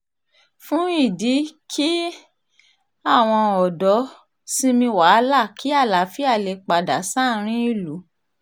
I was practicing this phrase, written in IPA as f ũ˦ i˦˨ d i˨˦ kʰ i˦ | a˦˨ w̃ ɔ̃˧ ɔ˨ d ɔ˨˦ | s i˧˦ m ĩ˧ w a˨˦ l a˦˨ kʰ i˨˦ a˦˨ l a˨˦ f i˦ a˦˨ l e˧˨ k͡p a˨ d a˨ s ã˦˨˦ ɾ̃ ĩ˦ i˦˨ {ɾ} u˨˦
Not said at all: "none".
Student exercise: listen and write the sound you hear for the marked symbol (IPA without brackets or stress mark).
l